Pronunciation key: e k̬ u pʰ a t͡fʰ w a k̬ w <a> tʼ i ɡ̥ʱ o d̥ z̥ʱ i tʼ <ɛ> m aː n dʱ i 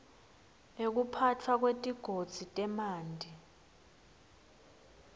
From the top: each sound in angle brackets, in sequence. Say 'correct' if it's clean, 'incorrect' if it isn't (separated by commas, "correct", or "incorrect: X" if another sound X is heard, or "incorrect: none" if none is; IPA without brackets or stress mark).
incorrect: e, correct